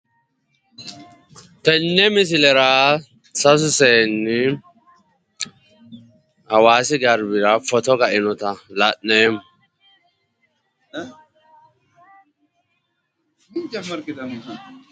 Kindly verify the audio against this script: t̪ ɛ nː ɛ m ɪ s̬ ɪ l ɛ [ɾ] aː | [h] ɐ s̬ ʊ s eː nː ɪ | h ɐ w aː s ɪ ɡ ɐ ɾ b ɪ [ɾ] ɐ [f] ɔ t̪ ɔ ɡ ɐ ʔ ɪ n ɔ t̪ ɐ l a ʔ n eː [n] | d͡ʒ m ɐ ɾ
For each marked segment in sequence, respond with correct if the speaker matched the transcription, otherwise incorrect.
correct, incorrect: s, correct, correct, incorrect: m

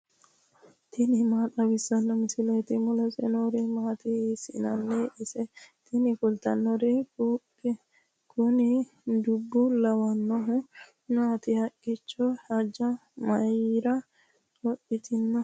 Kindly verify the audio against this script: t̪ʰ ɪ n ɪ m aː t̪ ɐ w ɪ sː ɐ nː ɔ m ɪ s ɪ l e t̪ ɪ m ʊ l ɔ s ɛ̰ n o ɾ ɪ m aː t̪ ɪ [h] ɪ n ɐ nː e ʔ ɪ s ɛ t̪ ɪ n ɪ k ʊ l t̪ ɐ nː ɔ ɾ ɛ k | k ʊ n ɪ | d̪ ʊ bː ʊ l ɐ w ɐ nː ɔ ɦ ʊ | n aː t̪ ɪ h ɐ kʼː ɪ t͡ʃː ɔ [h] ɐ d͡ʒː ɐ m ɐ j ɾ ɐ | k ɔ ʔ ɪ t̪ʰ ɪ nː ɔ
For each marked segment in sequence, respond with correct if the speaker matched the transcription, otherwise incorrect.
incorrect: s, correct

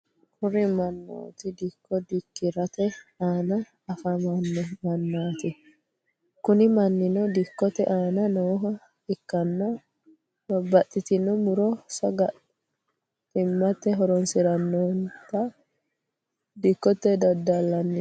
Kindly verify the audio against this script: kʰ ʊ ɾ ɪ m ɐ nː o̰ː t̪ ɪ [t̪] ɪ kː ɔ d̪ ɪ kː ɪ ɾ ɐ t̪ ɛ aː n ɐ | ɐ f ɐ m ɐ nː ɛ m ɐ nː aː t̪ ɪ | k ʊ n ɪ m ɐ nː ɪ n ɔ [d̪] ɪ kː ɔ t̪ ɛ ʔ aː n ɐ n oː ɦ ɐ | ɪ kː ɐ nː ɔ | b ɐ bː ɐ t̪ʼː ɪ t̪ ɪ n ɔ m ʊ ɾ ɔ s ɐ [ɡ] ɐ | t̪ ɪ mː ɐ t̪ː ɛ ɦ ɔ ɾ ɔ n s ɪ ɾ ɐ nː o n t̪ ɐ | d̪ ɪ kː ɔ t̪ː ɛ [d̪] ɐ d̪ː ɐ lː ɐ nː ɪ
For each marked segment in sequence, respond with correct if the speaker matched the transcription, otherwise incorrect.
incorrect: d̪, correct, correct, correct

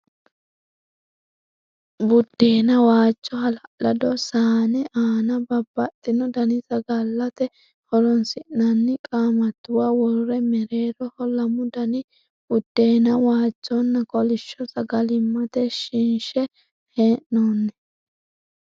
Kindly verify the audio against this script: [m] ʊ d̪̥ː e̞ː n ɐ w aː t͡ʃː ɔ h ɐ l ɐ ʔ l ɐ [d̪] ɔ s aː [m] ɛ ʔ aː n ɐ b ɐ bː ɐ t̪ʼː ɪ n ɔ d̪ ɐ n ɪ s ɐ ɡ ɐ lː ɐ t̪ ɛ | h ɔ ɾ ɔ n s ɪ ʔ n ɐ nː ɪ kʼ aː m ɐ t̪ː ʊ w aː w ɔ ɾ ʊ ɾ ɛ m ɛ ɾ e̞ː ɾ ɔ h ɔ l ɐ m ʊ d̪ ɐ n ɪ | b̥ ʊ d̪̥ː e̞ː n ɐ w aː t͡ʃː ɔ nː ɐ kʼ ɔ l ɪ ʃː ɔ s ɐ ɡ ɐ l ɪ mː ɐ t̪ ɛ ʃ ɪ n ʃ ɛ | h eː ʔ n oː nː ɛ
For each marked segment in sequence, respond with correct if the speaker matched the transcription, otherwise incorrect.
incorrect: b, correct, incorrect: n

